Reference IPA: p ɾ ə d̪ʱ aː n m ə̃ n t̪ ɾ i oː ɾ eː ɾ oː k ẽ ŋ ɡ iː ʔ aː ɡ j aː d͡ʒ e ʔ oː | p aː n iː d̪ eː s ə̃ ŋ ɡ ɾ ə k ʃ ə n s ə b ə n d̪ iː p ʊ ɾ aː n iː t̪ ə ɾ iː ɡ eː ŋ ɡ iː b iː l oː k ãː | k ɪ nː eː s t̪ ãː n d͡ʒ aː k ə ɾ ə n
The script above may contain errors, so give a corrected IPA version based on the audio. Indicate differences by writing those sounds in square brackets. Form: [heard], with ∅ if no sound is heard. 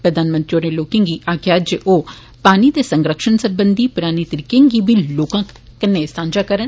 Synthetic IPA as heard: p ɾ ə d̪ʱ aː n m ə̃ n t̪ ɾ i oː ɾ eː [l] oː k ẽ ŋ ɡ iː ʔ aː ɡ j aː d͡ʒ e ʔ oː | p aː n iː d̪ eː s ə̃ ŋ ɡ ɾ ə k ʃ ə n s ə b ə n d̪ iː p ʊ ɾ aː n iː t̪ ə ɾ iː [k] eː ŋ ɡ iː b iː l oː k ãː | k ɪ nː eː s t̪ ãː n d͡ʒ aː k ə ɾ ə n